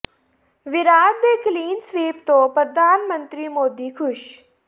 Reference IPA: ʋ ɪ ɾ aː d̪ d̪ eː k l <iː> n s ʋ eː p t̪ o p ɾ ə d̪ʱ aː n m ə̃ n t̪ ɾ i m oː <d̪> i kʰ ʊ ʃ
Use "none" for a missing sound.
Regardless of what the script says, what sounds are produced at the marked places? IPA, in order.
iː, d̪

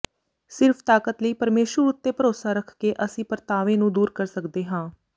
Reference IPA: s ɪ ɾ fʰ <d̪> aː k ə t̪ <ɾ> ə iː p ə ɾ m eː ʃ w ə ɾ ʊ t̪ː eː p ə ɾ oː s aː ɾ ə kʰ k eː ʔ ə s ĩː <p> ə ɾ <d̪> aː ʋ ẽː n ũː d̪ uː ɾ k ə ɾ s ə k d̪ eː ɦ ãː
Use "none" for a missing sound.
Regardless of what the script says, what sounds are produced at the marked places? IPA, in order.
t̪, l, p, t̪

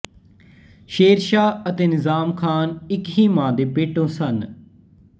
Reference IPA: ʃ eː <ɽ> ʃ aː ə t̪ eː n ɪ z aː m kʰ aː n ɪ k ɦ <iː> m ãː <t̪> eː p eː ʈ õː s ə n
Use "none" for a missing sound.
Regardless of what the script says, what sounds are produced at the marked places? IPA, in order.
ɾ, iː, d̪

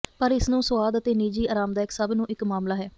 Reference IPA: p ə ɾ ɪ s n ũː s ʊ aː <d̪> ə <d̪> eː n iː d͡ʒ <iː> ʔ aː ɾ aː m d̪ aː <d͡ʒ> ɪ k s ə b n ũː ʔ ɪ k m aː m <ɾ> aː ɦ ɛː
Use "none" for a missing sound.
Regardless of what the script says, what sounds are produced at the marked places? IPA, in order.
d̪, t̪, iː, none, l

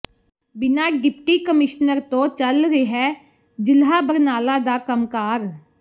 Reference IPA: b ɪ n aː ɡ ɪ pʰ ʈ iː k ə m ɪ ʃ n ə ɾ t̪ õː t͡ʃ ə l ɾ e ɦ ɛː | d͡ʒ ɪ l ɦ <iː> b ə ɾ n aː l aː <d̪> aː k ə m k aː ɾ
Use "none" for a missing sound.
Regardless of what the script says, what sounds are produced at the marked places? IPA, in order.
aː, d̪

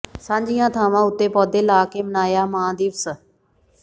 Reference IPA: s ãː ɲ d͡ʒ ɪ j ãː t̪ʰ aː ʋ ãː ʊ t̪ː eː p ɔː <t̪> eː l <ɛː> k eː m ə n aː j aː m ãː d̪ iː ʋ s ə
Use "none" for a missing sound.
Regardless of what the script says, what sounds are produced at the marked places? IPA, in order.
d̪, aː

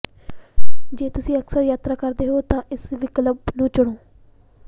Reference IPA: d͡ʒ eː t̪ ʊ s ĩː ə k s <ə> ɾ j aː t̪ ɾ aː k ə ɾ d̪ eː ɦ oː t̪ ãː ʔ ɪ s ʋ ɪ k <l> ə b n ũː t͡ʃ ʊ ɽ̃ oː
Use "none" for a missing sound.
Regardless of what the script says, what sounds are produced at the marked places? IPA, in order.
ə, l

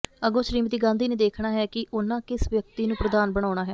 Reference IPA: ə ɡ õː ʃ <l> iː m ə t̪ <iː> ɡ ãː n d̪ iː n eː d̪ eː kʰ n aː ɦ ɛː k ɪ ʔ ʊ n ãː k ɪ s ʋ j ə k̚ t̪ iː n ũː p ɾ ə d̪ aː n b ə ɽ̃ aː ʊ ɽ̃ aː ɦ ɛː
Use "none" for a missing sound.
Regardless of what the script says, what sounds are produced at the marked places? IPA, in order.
ɾ, iː

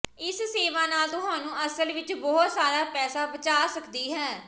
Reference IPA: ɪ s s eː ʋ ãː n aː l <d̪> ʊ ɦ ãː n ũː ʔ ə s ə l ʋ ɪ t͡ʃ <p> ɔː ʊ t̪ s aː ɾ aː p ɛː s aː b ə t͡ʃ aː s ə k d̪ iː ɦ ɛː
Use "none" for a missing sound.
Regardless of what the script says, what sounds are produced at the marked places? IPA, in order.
t̪, b

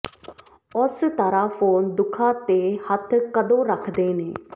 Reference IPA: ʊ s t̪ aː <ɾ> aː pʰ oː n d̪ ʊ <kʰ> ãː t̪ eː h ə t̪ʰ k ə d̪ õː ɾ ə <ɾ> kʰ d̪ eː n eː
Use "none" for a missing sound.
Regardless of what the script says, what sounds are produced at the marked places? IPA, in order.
ɾ, kʰ, none

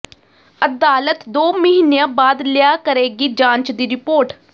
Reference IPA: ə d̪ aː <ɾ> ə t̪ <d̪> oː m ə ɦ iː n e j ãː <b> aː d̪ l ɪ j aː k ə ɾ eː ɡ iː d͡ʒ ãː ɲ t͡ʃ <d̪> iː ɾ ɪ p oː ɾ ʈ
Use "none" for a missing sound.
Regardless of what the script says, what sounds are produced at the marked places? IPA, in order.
l, d̪, b, d̪

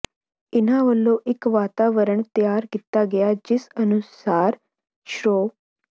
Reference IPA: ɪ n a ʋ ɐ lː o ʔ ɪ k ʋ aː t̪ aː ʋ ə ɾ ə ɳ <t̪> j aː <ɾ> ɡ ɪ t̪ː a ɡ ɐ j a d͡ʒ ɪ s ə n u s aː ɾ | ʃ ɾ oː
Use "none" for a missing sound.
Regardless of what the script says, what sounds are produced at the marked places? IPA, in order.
t̪, ɾ

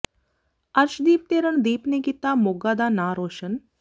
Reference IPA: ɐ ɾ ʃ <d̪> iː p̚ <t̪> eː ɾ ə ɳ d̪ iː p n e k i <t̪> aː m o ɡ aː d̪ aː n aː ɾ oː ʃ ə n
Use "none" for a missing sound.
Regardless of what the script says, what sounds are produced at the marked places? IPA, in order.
d̪, t̪, t̪

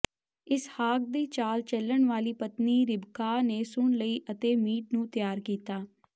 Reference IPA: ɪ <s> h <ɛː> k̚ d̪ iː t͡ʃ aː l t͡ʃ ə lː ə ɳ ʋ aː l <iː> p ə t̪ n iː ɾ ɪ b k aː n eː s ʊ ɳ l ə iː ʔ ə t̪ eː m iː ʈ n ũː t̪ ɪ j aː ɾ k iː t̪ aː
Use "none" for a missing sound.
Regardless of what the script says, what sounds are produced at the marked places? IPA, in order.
s, aː, iː

